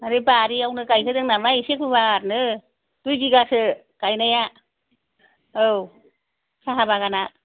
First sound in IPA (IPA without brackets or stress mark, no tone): a